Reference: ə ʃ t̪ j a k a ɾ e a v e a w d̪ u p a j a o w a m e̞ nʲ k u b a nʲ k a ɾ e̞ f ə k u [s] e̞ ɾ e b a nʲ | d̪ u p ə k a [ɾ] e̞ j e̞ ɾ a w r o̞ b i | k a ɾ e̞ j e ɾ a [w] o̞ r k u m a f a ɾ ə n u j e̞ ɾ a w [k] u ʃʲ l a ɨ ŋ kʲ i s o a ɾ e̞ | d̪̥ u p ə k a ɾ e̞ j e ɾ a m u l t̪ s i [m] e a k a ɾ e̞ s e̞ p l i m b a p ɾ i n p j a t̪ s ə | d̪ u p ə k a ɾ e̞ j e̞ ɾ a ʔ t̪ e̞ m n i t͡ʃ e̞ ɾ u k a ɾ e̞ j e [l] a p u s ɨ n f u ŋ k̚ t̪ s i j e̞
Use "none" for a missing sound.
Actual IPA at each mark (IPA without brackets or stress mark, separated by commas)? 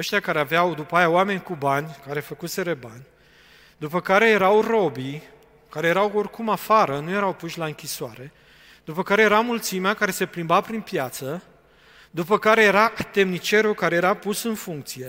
s, ɾ, w, p, m, ɾ